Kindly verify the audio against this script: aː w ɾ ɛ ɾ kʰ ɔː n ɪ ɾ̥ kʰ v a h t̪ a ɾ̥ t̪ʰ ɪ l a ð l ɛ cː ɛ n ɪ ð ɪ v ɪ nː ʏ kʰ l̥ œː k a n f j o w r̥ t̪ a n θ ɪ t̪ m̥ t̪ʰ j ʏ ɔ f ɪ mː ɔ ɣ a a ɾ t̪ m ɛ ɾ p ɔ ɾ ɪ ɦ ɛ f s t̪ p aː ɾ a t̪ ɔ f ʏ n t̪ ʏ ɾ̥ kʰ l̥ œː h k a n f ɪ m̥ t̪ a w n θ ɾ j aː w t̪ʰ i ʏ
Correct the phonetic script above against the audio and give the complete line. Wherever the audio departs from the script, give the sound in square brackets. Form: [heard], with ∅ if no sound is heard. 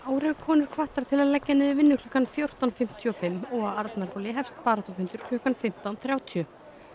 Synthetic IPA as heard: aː w ɾ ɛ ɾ kʰ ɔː n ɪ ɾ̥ kʰ v a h t̪ a ɾ̥ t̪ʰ ɪ l a ð l ɛ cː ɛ n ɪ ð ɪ v ɪ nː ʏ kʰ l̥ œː k a n f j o w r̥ t̪ a n [f] ɪ [∅] m̥ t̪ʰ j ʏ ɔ f ɪ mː ɔ ɣ a a ɾ t̪ m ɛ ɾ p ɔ [l] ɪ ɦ ɛ f s t̪ p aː ɾ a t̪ ɔ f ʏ n t̪ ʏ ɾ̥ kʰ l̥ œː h k a n f ɪ m̥ t̪ a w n θ ɾ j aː w t̪ʰ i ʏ